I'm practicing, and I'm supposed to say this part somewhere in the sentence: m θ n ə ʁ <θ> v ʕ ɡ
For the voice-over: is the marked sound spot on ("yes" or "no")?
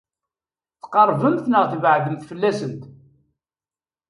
yes